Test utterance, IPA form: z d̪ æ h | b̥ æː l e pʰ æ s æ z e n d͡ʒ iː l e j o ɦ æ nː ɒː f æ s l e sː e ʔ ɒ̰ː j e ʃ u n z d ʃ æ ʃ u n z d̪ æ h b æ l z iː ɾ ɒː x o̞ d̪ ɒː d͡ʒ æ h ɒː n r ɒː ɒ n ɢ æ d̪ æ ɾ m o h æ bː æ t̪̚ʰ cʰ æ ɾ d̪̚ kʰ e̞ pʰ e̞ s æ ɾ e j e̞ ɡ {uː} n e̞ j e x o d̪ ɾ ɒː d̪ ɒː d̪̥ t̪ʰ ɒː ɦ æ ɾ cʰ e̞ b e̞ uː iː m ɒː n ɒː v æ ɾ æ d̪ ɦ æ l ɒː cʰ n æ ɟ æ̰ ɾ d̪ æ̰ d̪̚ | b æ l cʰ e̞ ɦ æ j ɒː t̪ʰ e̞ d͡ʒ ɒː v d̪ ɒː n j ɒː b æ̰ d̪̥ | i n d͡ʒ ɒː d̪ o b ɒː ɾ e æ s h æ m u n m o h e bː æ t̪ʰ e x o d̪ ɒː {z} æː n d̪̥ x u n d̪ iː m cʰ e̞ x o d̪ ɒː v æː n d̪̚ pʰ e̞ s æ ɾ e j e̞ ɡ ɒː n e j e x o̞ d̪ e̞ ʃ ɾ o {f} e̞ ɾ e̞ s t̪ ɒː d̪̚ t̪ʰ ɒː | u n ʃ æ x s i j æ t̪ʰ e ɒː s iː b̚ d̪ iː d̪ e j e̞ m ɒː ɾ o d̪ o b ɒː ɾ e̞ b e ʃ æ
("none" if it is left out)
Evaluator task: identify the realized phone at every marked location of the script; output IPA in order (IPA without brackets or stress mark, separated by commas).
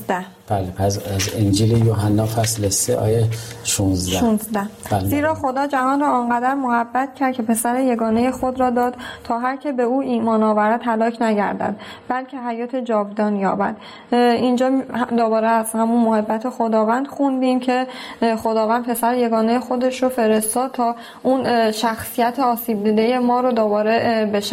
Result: ɒː, v, f